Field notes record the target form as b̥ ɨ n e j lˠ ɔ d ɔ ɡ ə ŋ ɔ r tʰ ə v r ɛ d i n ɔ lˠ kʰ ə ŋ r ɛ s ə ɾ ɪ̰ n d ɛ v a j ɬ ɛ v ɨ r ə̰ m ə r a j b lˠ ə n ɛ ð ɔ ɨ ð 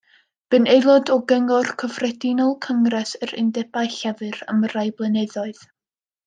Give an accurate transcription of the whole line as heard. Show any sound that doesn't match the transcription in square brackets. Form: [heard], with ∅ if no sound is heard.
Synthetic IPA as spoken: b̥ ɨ n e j lˠ ɔ d ɔ ɡ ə ŋ ɔ r [kʰ] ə v r ɛ d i n ɔ lˠ kʰ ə ŋ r ɛ s ə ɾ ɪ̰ n d ɛ [b] a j ɬ ɛ v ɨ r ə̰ m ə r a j b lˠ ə n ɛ ð ɔ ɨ ð